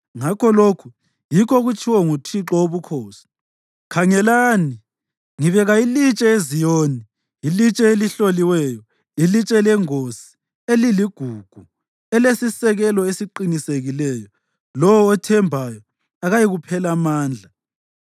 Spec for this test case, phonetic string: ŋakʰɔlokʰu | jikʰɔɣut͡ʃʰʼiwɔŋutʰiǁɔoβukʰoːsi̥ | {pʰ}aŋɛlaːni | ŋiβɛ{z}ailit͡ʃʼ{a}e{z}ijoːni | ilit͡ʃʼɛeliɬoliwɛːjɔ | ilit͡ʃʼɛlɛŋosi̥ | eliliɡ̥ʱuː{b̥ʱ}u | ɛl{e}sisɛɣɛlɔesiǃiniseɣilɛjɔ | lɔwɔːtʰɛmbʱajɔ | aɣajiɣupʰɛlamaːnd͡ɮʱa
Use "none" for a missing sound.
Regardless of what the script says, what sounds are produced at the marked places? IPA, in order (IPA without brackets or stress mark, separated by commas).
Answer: kʰ, ɣ, ɛ, z, ɡ̥ʱ, e